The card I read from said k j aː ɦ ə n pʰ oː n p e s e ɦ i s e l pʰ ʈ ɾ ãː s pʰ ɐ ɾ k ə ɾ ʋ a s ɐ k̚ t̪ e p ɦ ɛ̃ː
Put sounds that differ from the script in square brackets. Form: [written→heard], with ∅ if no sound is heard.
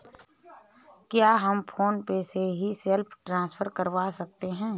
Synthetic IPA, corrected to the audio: k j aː ɦ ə [n→m] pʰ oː n p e s e ɦ i s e l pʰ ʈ ɾ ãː s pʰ [ɐ→ə] ɾ k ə ɾ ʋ a s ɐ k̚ t̪ e [p→∅] ɦ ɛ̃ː